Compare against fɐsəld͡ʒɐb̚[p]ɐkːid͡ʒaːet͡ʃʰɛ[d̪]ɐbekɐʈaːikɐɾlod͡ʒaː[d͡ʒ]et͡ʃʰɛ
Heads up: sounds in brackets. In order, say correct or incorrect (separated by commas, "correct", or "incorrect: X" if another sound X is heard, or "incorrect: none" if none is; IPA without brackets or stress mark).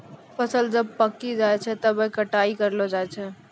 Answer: correct, incorrect: t̪, incorrect: none